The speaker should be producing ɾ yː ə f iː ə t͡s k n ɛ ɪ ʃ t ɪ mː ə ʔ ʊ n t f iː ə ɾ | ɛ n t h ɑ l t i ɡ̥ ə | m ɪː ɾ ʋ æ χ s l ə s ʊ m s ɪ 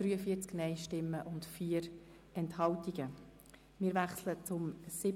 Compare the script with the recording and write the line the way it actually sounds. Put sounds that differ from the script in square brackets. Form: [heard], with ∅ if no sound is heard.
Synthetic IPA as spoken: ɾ yː ə f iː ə t͡s k n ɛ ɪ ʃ t ɪ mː ə ʔ ʊ n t f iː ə ɾ | ɛ n t h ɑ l t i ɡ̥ ə | m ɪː ɾ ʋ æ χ s l ə [t͡s] ʊ m s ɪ